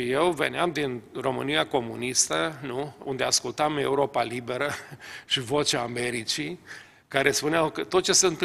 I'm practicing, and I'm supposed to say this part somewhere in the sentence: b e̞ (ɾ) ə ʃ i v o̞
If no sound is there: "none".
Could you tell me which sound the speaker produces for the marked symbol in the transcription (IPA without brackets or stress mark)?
ɾ